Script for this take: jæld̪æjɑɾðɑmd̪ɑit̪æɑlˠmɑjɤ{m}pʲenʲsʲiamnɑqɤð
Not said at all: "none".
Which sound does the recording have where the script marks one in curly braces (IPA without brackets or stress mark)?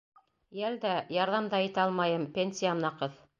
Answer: m